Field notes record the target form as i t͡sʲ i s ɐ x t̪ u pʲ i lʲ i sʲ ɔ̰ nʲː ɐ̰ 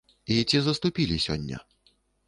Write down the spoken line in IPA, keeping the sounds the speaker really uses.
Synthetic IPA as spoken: i t͡sʲ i z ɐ s t̪ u pʲ i lʲ i sʲ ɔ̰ nʲː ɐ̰